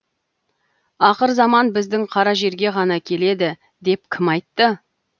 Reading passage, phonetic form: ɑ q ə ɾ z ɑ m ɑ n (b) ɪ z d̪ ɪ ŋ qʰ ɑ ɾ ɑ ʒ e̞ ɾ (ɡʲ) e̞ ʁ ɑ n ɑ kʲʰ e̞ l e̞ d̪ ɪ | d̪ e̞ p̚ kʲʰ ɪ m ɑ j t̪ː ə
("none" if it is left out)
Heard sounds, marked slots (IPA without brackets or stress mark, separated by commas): b, ɡʲ